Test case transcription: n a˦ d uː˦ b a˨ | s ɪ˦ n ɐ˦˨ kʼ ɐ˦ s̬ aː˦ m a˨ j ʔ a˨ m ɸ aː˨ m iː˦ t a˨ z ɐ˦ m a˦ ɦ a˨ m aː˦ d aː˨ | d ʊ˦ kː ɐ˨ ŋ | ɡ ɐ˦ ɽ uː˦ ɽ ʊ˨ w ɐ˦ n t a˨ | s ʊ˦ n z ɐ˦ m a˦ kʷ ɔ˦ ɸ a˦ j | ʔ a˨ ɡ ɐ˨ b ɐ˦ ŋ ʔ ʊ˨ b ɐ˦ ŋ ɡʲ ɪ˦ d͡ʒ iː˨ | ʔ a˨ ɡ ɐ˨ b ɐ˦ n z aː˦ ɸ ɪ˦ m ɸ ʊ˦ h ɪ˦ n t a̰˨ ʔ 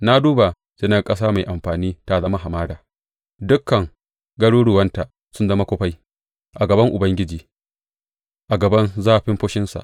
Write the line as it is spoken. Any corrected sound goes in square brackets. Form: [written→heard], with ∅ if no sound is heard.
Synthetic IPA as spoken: n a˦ d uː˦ b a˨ | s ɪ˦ n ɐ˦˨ kʼ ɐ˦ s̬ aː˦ m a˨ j ʔ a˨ m ɸ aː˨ [m→n] iː˦ t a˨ z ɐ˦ m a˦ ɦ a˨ m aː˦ d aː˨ | d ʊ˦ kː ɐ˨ ŋ | ɡ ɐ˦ ɽ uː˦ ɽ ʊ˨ w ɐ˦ n t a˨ | s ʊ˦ n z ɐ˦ m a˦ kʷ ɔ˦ ɸ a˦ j | ʔ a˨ ɡ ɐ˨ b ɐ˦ ŋ ʔ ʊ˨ b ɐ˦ ŋ ɡʲ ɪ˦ d͡ʒ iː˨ | ʔ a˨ ɡ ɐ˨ b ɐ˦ n z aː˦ ɸ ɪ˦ m ɸ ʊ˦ [h→ʃ] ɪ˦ n [t→s] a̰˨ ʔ